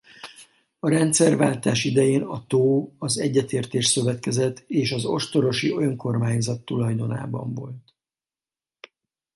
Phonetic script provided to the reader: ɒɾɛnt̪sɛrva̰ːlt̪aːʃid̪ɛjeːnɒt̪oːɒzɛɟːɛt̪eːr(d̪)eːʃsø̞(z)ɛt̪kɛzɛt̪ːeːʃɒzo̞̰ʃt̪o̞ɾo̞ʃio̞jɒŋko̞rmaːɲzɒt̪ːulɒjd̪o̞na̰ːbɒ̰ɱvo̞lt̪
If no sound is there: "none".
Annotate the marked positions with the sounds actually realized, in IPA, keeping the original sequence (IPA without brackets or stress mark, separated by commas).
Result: t̪, v